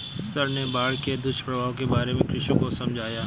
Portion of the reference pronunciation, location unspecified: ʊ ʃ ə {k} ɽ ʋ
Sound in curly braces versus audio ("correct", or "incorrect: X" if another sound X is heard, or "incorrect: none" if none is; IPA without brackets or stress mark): incorrect: none